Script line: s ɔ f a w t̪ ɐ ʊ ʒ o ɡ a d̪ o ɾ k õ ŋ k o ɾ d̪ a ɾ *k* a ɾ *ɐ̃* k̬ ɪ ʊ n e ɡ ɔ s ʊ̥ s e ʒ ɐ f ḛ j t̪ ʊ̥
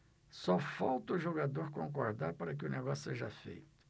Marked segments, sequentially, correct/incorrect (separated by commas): incorrect, incorrect